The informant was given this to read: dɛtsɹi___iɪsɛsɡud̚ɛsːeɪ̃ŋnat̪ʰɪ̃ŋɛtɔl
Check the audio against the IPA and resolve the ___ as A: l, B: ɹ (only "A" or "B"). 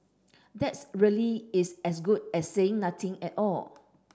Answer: A